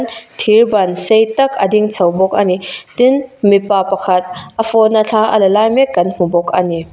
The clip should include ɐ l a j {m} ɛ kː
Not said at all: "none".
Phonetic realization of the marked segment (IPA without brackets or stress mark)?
m